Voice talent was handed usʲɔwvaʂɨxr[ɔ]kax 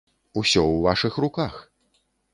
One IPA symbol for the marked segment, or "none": u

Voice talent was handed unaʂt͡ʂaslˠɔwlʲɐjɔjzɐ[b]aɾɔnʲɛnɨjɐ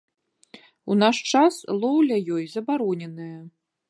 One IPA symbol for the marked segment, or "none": b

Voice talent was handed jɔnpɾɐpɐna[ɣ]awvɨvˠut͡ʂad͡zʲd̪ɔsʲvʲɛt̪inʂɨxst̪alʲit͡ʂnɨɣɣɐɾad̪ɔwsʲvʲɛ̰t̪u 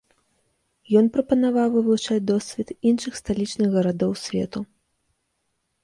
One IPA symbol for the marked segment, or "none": v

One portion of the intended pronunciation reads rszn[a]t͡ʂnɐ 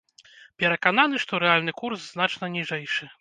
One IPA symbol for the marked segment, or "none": a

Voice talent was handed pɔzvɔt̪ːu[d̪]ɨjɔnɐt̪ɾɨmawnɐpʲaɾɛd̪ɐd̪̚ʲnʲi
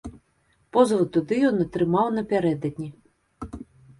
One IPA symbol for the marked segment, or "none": d̪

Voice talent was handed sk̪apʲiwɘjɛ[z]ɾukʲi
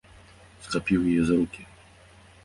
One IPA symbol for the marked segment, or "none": z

